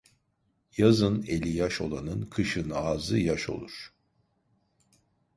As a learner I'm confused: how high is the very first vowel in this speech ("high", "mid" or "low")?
low